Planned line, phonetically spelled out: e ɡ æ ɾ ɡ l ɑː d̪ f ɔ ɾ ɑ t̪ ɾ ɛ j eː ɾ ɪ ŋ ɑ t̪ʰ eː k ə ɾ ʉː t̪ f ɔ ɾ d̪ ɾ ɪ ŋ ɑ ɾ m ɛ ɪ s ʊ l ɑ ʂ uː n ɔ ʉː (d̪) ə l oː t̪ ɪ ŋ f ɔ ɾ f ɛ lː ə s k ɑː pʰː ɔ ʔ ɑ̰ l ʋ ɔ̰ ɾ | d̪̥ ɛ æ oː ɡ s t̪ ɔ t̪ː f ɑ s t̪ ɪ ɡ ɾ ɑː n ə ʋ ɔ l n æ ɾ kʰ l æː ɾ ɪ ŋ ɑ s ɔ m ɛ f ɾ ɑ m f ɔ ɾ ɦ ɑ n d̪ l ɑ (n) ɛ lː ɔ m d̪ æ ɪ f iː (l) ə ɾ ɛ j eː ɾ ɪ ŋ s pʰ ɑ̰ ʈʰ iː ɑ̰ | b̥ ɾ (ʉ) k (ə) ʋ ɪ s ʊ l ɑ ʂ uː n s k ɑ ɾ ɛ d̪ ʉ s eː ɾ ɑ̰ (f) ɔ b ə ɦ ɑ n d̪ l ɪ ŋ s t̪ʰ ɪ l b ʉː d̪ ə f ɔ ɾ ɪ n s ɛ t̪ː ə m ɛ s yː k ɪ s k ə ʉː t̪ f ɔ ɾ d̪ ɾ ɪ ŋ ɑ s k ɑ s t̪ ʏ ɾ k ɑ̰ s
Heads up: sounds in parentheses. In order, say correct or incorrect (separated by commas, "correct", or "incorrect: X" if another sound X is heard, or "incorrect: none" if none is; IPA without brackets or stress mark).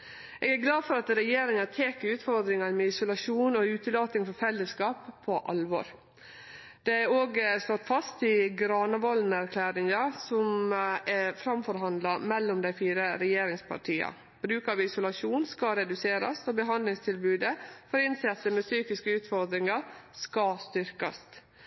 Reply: incorrect: t̪, incorrect: m, incorrect: ɾ, incorrect: ʉː, incorrect: ɑ, incorrect: s